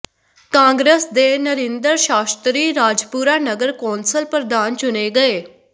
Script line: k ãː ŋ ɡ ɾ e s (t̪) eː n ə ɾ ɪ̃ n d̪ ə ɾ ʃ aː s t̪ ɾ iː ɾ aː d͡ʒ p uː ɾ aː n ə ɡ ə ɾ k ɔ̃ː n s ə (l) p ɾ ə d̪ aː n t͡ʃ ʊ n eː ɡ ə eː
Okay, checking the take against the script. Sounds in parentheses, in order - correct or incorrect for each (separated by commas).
incorrect, correct